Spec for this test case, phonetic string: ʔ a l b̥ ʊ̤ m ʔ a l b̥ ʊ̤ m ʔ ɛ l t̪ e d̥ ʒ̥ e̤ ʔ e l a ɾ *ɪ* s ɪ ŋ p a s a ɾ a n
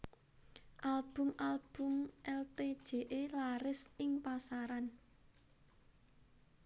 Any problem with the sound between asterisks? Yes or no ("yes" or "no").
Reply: no